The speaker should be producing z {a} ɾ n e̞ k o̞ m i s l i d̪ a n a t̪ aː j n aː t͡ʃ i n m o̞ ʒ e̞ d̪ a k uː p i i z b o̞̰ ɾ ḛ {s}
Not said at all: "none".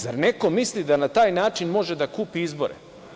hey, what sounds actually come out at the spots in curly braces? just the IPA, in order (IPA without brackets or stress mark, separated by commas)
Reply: a, none